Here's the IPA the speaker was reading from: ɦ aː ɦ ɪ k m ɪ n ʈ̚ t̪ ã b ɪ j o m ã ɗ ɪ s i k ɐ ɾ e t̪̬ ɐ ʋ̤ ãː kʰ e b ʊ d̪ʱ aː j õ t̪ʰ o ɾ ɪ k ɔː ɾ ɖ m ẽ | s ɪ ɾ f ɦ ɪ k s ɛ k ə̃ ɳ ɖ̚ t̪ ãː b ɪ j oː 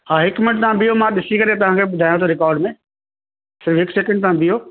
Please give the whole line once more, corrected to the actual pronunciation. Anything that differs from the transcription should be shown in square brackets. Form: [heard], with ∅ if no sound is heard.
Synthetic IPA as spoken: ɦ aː ɦ ɪ k m ɪ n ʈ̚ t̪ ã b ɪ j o m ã ɗ ɪ s i k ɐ ɾ e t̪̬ ɐ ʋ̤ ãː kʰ e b ʊ d̪ʱ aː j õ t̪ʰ o ɾ ɪ k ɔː ɾ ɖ m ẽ | s ɪ ɾ f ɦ ɪ k s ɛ k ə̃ ɳ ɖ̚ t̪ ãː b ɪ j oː